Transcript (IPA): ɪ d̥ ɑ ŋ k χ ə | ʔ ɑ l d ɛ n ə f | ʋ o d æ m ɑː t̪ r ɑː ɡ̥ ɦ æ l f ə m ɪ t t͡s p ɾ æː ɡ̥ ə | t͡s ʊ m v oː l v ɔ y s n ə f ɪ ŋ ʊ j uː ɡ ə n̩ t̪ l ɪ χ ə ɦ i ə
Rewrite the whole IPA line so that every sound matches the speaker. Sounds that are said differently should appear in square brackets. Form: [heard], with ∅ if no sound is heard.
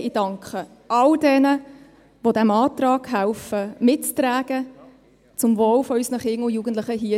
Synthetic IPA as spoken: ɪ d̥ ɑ ŋ k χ ə | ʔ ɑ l d ɛ n ə [∅] | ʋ o d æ m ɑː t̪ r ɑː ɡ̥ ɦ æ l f ə m ɪ t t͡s [t] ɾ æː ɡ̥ ə | t͡s ʊ m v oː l [f] ɔ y s n ə [χ] ɪ ŋ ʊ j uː ɡ ə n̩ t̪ l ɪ χ ə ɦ i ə